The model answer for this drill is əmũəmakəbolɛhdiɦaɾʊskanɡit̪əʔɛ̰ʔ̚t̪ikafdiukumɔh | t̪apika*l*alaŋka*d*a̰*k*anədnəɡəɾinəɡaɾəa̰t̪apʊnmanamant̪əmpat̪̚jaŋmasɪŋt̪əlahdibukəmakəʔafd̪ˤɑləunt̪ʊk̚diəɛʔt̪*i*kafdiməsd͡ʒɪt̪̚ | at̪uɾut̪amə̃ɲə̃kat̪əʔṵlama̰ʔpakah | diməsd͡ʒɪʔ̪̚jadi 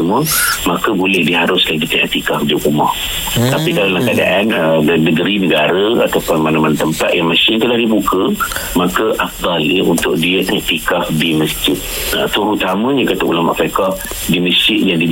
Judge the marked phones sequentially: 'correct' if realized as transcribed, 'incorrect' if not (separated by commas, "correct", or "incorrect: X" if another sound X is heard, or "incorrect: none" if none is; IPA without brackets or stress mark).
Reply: correct, correct, incorrect: ʔ, correct